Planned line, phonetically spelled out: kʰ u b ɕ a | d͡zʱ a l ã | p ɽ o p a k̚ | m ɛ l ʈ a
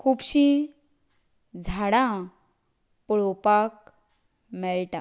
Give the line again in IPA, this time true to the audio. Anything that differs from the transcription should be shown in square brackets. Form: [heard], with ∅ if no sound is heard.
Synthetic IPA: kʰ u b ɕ [i] | d͡zʱ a [ɽ] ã | p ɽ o p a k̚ | m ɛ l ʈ a